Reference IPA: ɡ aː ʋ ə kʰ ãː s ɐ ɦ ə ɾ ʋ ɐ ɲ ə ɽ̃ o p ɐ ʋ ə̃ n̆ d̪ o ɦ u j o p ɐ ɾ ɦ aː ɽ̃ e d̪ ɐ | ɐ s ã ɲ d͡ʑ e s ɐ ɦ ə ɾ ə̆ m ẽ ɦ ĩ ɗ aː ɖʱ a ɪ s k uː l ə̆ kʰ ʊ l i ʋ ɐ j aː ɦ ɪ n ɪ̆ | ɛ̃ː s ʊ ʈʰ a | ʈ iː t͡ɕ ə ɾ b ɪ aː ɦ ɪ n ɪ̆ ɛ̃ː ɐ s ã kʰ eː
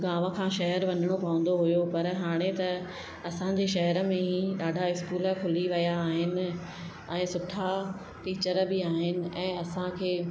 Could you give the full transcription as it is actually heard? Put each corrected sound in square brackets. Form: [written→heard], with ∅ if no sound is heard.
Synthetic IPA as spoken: ɡ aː ʋ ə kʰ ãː [s→ʃ] ɐ ɦ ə ɾ ʋ ɐ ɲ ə ɽ̃ o p ɐ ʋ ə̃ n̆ d̪ o ɦ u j o p ɐ ɾ ɦ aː ɽ̃ e [d̪→t̪] ɐ | ɐ s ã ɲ d͡ʑ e [s→ʃ] ɐ ɦ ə ɾ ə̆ m ẽ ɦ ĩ ɗ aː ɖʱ a ɪ s k uː l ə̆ kʰ ʊ l i ʋ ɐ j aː ɦ ɪ n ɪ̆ | ɛ̃ː s ʊ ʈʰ a | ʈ iː t͡ɕ ə ɾ b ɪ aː ɦ ɪ n ɪ̆ ɛ̃ː ɐ s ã kʰ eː